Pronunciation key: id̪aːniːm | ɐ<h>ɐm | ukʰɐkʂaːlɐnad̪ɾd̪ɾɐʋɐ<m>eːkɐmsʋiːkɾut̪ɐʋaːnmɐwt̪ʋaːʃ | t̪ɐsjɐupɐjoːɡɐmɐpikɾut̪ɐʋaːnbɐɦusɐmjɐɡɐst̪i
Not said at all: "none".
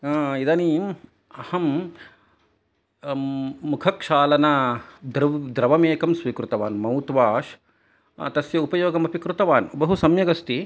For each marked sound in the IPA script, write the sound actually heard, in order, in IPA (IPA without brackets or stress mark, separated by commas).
h, m